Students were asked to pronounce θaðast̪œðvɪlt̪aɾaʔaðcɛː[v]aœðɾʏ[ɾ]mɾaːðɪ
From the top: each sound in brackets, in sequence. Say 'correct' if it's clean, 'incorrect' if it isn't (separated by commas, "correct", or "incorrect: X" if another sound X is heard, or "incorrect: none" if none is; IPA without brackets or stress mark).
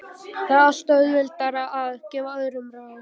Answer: correct, incorrect: none